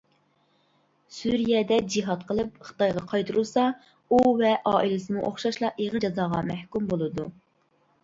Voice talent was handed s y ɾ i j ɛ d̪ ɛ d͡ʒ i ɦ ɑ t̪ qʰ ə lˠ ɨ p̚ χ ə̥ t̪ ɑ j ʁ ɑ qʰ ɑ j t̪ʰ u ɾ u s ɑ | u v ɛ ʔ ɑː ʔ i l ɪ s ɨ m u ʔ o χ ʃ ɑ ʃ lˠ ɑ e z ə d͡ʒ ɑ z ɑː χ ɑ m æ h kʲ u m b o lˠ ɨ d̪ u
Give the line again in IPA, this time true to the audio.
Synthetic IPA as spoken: s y ɾ i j ɛ d̪ ɛ d͡ʒ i ɦ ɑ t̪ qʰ ə lˠ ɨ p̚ χ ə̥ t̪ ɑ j ʁ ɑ qʰ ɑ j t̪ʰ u ɾ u s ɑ | u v ɛ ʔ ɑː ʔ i l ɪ s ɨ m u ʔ o χ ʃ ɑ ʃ lˠ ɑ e ʁ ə d͡ʒ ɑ z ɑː ʁ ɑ m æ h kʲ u m b o lˠ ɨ d̪ u